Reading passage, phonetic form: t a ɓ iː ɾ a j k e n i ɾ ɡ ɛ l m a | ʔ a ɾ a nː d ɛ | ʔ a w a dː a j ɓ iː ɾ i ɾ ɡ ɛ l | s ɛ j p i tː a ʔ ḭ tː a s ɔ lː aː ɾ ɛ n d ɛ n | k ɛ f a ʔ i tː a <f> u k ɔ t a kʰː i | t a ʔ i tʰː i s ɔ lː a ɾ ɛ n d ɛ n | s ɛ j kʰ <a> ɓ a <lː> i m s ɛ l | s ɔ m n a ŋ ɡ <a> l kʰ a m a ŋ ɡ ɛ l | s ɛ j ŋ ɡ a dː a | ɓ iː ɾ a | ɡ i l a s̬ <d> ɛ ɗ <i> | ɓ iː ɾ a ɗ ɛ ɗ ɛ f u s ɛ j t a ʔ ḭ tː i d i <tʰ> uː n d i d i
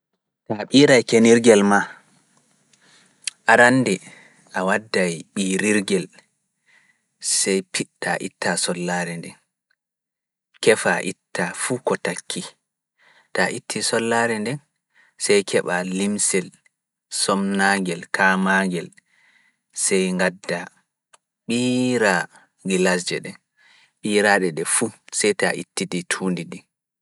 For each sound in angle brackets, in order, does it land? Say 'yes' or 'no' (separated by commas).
yes, no, no, no, no, no, yes